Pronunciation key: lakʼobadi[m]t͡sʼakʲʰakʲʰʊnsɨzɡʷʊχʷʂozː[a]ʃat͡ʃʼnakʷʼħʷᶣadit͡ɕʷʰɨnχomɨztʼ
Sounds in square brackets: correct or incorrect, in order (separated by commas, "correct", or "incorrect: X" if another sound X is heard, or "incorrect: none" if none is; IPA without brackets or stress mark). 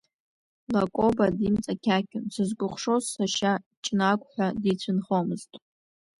correct, correct